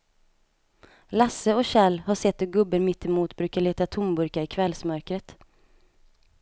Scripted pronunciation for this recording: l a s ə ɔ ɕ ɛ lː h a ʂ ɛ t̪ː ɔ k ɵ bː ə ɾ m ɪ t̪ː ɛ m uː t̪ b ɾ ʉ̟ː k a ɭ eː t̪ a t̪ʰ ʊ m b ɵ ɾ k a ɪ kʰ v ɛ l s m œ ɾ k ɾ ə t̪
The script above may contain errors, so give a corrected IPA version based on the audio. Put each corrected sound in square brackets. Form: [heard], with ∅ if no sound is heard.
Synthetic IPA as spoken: l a s ə ɔ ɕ ɛ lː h a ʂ ɛ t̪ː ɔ [ɡ] ɵ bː ə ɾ m ɪ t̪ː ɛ m uː t̪ b ɾ ʉ̟ː k a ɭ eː t̪ a t̪ʰ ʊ m b ɵ ɾ k a ɪ kʰ v ɛ l s m œ ɾ k ɾ ə t̪